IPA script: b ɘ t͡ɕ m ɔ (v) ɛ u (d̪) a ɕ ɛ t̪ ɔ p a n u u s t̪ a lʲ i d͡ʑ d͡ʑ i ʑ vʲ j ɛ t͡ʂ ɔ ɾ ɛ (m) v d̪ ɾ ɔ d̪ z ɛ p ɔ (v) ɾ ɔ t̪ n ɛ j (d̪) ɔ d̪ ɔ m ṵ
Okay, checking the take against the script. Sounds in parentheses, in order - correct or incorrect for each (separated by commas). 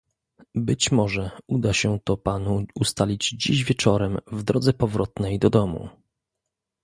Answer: incorrect, correct, correct, correct, correct